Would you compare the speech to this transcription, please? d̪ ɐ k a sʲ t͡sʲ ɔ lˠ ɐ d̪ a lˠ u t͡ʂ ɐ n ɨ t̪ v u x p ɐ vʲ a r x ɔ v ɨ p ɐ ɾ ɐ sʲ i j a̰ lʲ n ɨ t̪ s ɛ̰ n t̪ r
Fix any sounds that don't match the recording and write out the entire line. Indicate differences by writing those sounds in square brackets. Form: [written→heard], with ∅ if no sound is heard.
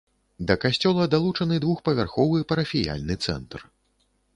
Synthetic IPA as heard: d̪ ɐ k a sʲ t͡sʲ ɔ lˠ ɐ d̪ a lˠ u t͡ʂ ɐ n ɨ [t̪→d̪] v u x p ɐ vʲ a r x ɔ v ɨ p ɐ ɾ ɐ [sʲ→fʲ] i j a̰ lʲ n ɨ t̪ s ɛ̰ n t̪ r